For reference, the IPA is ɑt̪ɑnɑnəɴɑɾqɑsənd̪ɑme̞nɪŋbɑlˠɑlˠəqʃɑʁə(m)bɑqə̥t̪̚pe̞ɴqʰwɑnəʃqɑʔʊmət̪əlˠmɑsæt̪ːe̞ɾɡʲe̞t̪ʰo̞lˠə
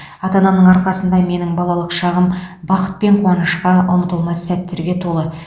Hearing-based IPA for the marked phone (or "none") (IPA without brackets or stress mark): m